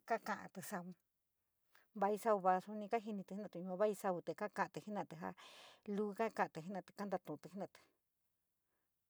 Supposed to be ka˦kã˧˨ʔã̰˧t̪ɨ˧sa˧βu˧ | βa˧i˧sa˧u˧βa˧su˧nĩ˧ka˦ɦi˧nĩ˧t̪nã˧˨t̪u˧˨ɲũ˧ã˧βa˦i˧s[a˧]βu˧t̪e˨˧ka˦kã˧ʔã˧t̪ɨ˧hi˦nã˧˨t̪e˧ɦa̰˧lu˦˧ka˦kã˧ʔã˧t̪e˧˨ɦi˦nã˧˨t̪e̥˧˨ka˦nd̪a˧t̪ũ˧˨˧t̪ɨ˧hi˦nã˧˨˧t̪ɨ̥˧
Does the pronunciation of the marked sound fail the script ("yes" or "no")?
no